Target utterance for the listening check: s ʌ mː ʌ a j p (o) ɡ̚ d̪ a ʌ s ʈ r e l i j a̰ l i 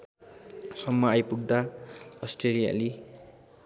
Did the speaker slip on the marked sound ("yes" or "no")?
yes